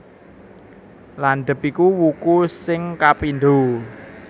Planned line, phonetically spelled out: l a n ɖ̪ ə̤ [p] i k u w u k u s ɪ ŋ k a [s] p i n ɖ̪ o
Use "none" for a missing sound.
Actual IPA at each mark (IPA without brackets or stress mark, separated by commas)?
p, none